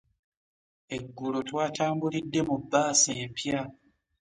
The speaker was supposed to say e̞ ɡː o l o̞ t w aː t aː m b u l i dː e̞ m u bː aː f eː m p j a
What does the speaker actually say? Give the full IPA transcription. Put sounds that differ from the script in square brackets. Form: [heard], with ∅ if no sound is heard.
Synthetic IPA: e̞ ɡː [u] l o̞ t w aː t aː m b u l i dː e̞ m u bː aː [s] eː m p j a

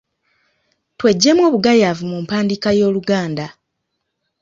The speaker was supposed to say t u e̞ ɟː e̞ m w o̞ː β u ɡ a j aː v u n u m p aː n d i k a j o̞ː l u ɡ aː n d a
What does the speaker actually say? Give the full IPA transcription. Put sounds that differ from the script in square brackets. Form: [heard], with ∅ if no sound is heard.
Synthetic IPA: t [w] e̞ ɟː e̞ m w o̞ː β u ɡ a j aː v u [m] u m p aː n d i k a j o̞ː l u ɡ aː n d a

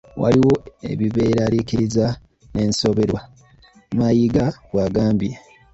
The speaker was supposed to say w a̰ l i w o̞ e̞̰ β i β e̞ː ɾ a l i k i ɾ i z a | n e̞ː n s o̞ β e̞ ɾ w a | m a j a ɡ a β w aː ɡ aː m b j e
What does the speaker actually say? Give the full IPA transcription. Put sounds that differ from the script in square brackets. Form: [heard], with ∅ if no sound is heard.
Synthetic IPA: w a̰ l i w o̞ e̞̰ β i β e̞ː ɾ a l i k i ɾ i z a | n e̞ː n s o̞ β e̞ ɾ w a | m a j [i] ɡ a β w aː ɡ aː m b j e

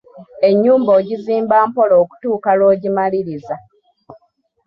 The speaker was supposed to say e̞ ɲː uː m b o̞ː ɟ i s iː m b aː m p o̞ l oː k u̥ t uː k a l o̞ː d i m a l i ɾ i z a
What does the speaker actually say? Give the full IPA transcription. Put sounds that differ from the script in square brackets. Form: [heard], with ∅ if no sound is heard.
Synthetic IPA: e̞ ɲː uː m b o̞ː ɟ i [z] iː m b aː m p o̞ l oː k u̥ t uː k a l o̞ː [ɟ] i m a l i ɾ i z a

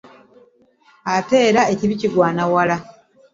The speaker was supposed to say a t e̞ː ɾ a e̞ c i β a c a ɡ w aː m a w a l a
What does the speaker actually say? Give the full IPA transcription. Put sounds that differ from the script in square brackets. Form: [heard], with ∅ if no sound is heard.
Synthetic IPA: a t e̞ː ɾ a e̞ c i β [i] c [i] ɡ w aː [n] a w a l a

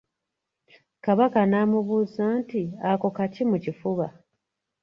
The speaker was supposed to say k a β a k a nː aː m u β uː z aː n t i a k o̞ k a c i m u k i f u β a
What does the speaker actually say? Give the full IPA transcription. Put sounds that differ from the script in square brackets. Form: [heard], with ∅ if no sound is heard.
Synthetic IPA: k a β a k a [n] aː m u β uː z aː n t i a k o̞ k a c i m u [c] i f u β a

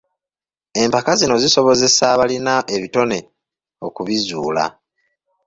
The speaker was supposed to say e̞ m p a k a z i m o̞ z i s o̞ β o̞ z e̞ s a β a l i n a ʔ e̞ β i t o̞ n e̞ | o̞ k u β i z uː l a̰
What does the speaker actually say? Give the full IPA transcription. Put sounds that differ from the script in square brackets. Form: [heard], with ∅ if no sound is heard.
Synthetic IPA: e̞ m p a k a z i [n] o̞ z i s o̞ β o̞ z e̞ s a β a l i n a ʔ e̞ β i t o̞ n e̞ | o̞ k u β i z uː l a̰

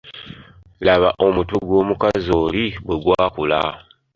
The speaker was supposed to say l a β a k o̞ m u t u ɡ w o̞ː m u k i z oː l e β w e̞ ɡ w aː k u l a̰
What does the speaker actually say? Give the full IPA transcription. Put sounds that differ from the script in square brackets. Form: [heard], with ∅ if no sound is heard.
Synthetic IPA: l a β a [ʔ] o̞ m u t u ɡ w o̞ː m u k [a] z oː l [i] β w e̞ ɡ w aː k u l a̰

